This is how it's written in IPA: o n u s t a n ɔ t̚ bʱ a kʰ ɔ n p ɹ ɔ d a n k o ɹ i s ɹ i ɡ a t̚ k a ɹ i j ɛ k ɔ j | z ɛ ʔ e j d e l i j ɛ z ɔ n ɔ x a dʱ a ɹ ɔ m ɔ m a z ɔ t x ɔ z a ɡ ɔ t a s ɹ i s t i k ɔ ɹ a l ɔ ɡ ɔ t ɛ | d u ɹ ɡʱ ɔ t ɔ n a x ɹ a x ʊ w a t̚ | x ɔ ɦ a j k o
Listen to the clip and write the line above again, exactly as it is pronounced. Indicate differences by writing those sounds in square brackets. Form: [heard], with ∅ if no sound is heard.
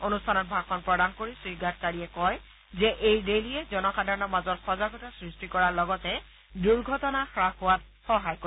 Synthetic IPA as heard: o n u s [tʰ] a n ɔ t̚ bʱ a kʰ ɔ n p ɹ ɔ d a n k o ɹ i s ɹ i ɡ a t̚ k a ɹ i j ɛ k ɔ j | z ɛ ʔ e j d e l i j ɛ z ɔ n ɔ x a dʱ a ɹ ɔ [n] ɔ m a z ɔ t x ɔ z a ɡ ɔ t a s ɹ i s t i k ɔ ɹ a l ɔ ɡ ɔ t ɛ | d u ɹ ɡʱ ɔ t ɔ n a x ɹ a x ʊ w a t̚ | x ɔ ɦ a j k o